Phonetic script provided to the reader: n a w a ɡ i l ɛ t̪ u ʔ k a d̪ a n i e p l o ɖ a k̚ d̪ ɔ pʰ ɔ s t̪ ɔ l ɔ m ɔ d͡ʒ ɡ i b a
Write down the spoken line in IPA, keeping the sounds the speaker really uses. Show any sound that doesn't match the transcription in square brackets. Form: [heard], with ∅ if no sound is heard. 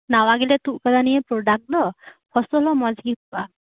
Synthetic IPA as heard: n a w a ɡ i l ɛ t̪ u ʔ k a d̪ a n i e p [ɾ] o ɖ a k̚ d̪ ɔ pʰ ɔ s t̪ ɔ l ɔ m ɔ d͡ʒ ɡ i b a